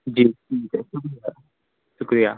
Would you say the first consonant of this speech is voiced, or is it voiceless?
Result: voiced